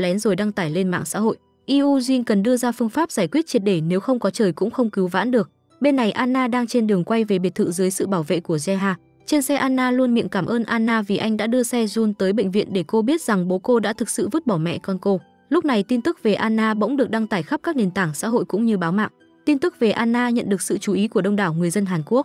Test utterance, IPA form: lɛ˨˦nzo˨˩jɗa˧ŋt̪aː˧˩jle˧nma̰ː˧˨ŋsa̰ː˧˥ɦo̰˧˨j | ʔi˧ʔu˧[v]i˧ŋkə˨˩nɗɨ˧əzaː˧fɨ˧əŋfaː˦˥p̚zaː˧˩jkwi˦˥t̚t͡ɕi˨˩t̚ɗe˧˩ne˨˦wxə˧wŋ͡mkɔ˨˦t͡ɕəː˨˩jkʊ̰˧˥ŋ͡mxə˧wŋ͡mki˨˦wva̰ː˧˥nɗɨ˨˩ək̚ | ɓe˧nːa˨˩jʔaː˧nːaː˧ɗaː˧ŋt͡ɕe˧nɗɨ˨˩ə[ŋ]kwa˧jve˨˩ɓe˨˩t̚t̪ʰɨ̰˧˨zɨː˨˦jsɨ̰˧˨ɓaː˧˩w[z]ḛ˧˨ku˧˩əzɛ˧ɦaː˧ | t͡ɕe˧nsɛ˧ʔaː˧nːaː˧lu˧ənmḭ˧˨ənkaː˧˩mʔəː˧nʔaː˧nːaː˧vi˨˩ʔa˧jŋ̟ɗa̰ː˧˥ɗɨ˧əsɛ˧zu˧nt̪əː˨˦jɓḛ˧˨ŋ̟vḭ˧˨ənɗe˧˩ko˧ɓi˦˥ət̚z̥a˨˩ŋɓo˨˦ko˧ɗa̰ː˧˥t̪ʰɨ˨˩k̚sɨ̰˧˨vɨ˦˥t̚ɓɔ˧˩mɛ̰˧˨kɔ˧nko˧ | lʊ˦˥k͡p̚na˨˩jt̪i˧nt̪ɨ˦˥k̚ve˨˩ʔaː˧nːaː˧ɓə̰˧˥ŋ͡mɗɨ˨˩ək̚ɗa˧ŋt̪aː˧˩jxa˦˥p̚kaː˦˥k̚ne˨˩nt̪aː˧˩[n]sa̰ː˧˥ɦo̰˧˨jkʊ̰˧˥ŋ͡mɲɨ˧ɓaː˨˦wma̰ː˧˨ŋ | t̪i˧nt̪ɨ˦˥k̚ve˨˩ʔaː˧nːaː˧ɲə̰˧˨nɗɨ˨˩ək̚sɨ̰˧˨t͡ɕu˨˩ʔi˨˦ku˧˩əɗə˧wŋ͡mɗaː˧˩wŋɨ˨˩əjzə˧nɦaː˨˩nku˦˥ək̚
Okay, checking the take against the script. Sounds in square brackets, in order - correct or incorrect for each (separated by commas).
incorrect, correct, incorrect, incorrect